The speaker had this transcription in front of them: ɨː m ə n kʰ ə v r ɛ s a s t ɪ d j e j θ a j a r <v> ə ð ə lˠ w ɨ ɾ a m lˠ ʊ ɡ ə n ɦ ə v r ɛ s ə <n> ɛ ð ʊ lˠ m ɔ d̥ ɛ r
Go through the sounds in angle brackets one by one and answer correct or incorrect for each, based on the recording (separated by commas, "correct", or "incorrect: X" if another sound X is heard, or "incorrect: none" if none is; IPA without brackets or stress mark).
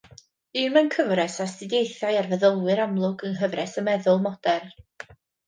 correct, incorrect: m